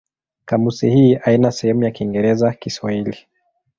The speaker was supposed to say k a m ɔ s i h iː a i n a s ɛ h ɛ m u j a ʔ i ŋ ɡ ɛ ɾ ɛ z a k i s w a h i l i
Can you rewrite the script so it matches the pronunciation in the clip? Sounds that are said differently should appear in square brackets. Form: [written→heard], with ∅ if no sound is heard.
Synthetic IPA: k a m [ɔ→u] s i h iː a i n a s ɛ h ɛ m u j a [ʔ→k] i ŋ ɡ ɛ ɾ ɛ z a k i s w a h i l i